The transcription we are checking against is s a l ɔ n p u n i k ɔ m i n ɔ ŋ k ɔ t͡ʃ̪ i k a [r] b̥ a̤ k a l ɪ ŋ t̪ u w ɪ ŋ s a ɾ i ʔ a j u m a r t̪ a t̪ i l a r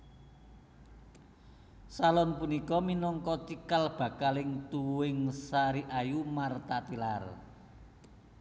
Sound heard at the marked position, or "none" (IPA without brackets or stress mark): l